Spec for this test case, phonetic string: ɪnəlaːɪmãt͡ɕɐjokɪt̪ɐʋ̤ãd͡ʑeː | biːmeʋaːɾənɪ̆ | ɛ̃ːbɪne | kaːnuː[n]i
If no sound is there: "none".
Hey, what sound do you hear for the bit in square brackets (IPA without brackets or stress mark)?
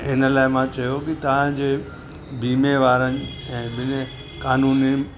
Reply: n